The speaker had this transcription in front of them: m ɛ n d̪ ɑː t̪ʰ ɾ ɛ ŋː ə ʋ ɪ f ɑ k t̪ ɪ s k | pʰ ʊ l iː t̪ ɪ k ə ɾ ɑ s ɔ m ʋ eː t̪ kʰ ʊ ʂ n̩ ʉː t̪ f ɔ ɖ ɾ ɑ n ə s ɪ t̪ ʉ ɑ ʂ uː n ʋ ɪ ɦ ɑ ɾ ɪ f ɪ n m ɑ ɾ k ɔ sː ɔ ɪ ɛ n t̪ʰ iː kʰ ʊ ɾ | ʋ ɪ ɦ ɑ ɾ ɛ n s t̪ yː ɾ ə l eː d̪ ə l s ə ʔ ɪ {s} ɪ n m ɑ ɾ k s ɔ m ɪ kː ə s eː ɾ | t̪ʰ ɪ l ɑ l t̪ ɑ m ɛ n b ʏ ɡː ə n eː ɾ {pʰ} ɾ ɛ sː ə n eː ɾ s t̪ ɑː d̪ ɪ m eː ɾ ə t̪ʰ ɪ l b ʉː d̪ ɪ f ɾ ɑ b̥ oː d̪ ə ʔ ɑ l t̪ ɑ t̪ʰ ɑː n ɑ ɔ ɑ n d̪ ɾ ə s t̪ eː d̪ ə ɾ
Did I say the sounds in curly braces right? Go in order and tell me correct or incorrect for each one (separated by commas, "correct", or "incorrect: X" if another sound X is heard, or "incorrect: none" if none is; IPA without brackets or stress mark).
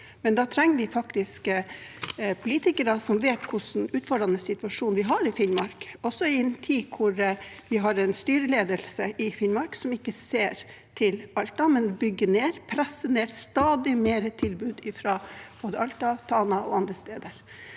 incorrect: f, correct